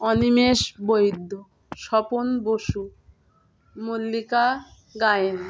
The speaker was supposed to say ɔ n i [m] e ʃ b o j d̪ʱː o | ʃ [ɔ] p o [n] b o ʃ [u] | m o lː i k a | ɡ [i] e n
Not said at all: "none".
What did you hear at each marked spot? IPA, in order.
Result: m, ɔ, n, u, a

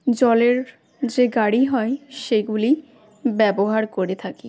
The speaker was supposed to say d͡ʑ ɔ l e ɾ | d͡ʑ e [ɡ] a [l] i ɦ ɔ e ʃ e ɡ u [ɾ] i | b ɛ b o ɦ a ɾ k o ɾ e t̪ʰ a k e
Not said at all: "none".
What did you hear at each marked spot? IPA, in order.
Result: ɡ, ɽ, l

